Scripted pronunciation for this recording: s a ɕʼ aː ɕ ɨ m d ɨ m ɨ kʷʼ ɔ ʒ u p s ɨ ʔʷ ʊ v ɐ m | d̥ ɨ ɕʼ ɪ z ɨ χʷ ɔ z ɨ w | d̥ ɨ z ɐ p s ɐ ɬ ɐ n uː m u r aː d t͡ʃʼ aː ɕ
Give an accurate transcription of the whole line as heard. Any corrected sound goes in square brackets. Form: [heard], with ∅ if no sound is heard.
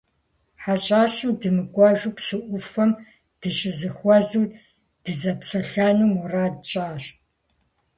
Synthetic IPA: [ħ] a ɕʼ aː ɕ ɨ m d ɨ m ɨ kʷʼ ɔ ʒ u p s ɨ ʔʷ ʊ [f] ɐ m | d̥ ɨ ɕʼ ɪ z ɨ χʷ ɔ z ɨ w | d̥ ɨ z ɐ p s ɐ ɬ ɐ n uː m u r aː d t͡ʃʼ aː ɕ